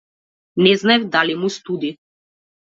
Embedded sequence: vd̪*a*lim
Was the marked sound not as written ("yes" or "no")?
no